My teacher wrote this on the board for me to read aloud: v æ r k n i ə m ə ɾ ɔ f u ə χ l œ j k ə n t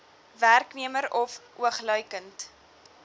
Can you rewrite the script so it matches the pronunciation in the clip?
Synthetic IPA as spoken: v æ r k n i ə m ə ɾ ɔ f u ə χ l œ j k ə n t